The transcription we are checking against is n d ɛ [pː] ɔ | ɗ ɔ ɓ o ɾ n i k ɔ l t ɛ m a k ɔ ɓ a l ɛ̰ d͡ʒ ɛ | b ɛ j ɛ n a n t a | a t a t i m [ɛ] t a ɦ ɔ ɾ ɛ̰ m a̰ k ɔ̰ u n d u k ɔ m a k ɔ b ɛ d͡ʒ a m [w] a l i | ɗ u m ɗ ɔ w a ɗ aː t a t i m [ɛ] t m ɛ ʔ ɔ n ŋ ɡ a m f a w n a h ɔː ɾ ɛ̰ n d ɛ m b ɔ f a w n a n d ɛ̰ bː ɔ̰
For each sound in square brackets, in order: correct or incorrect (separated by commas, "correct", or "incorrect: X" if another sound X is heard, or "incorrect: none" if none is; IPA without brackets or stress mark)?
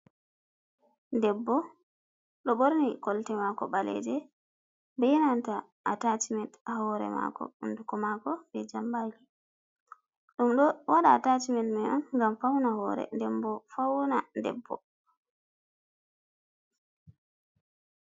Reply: incorrect: bː, correct, incorrect: b, correct